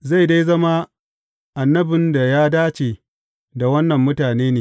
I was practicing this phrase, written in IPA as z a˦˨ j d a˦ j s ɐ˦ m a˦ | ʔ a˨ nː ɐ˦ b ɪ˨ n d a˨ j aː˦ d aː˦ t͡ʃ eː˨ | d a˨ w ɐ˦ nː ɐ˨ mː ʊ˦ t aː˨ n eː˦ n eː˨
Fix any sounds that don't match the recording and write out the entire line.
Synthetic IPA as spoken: z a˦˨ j d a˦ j z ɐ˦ m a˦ | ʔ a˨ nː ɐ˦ b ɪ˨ n d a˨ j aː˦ d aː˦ t͡ʃ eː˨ | d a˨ w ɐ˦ nː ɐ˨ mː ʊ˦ t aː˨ n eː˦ n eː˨